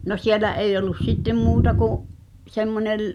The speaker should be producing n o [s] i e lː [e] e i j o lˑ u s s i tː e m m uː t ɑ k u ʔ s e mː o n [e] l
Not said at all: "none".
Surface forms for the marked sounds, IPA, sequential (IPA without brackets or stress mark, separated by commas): s, æ, e